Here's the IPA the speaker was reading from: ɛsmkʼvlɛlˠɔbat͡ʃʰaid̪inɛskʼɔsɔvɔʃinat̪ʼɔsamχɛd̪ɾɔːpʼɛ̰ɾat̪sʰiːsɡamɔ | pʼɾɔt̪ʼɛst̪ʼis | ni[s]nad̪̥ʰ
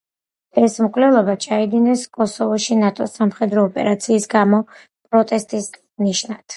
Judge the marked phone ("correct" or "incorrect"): incorrect